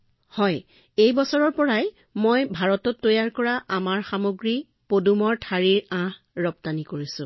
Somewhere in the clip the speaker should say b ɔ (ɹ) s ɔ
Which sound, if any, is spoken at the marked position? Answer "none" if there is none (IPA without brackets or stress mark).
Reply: none